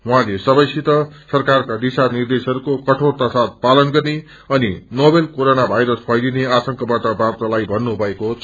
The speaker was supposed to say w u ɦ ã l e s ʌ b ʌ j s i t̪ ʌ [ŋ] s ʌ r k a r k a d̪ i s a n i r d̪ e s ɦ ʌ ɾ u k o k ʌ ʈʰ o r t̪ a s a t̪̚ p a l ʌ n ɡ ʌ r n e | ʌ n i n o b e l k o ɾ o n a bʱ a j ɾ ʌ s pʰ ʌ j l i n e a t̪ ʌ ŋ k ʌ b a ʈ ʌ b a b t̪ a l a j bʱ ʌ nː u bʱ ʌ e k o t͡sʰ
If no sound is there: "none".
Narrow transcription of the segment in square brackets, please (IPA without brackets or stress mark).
none